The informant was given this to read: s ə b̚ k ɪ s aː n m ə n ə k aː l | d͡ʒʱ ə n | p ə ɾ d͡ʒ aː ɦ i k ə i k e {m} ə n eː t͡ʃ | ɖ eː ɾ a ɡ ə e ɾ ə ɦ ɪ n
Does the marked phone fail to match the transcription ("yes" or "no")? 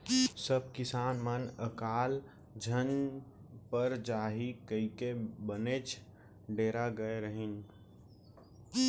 yes